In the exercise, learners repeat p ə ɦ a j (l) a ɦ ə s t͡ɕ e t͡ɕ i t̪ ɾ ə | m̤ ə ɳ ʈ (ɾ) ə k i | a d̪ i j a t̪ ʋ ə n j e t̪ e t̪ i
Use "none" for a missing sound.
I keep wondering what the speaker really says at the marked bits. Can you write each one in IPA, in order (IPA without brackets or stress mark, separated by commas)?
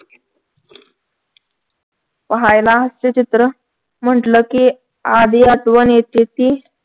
l, l